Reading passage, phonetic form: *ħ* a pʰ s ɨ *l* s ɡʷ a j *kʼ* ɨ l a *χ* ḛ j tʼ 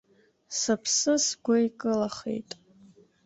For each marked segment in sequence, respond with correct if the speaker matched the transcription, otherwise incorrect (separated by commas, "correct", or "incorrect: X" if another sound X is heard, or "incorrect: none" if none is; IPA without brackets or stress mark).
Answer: incorrect: s, incorrect: none, correct, correct